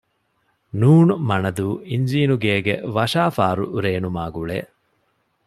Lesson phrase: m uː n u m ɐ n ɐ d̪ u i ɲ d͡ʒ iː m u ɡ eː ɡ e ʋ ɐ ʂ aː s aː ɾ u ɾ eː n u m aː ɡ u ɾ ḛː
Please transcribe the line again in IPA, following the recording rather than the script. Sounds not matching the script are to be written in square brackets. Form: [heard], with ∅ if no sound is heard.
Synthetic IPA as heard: [n] uː n u m ɐ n ɐ d̪ [uː] i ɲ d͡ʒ iː [n] u ɡ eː ɡ e ʋ ɐ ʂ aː [f] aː ɾ u ɾ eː n u m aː ɡ u [ɭ] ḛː